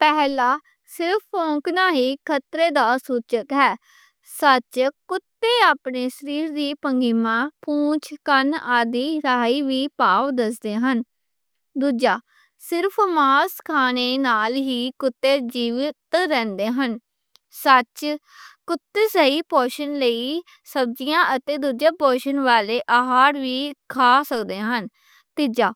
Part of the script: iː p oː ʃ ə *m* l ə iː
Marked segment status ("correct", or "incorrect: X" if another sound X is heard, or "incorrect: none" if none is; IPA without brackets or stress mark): incorrect: n